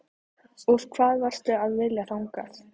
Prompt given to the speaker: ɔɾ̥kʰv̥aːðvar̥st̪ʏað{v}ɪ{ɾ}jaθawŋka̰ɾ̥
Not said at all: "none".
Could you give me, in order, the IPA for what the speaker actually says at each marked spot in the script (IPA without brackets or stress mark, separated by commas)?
v, l